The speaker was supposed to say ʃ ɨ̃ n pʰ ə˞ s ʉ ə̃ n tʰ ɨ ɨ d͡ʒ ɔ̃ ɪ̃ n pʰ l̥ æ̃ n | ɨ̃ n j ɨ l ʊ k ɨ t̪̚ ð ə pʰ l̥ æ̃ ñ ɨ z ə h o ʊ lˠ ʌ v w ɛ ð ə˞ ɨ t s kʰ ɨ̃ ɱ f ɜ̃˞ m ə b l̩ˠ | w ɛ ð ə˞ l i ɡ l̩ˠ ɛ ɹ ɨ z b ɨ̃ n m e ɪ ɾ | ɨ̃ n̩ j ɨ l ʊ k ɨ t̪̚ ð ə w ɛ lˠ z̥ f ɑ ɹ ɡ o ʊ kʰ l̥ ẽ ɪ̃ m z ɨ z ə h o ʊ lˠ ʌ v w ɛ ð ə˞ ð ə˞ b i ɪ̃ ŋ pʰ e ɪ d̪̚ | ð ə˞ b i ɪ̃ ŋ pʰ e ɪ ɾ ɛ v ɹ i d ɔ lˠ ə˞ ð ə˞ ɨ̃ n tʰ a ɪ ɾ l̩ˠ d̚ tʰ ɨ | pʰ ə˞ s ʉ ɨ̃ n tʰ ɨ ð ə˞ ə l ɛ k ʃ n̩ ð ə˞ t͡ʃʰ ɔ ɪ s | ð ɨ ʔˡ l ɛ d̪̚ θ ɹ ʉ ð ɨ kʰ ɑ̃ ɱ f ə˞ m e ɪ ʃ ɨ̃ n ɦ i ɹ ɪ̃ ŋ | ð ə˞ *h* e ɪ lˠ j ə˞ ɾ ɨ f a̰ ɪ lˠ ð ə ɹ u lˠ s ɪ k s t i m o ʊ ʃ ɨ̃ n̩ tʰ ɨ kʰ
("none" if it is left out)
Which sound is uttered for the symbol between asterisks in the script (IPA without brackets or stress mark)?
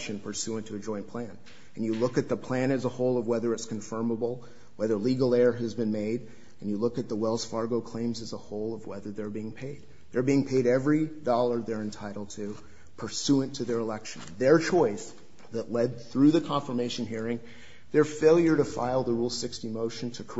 f